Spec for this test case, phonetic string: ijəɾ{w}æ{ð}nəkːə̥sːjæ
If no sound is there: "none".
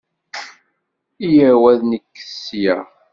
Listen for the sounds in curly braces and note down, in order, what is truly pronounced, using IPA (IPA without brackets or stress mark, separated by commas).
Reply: w, ð